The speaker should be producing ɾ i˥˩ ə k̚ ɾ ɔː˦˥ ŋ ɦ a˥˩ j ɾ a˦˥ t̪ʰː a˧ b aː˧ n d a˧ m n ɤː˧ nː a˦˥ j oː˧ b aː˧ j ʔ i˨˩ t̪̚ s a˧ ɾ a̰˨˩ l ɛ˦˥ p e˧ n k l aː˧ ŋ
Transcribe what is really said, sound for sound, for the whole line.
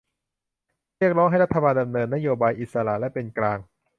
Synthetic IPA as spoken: ɾ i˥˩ ə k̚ ɾ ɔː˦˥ ŋ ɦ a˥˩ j ɾ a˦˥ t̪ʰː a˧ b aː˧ n d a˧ m n ɤː˧ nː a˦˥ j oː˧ b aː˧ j ʔ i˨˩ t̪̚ s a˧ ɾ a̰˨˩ l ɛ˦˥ p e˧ n k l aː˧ ŋ